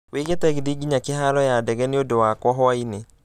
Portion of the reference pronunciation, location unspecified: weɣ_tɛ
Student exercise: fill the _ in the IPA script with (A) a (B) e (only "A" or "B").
B